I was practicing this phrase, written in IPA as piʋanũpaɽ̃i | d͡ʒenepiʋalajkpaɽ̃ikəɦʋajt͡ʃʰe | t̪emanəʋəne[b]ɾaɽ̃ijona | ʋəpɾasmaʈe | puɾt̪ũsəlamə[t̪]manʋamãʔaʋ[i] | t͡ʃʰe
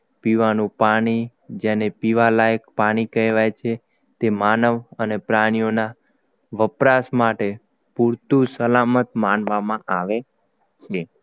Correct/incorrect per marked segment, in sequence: incorrect: p, correct, incorrect: e

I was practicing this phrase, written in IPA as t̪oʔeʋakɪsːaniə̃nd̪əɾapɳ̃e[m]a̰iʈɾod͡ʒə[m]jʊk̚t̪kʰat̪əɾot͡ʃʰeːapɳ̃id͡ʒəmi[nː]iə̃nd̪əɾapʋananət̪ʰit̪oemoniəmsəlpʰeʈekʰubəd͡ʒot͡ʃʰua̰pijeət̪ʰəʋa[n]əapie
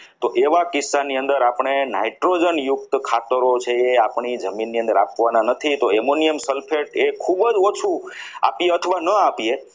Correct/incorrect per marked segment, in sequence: incorrect: n, incorrect: n, correct, correct

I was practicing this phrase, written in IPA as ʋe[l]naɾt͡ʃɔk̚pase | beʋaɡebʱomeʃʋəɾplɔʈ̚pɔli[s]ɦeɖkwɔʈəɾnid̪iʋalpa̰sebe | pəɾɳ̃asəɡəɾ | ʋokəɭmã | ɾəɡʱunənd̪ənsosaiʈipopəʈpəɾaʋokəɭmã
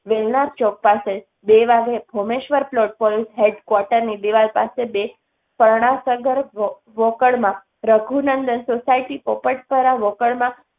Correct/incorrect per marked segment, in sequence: correct, correct

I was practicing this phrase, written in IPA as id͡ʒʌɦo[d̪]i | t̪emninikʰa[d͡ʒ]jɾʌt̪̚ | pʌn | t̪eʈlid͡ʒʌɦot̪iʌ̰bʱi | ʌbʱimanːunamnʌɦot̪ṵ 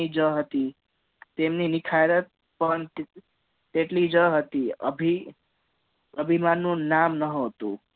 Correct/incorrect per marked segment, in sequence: incorrect: t̪, incorrect: none

